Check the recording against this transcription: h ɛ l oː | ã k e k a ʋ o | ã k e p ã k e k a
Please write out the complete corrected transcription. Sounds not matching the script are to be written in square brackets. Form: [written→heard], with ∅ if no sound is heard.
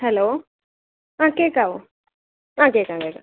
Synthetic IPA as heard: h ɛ l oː | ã k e k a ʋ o | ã k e [p→k] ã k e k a